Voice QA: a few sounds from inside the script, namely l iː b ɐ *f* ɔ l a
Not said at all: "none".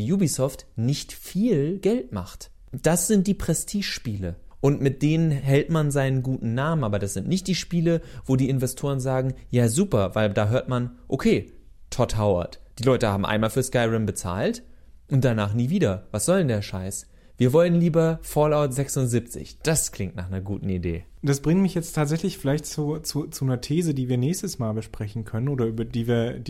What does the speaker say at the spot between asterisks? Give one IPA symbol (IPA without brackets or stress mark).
f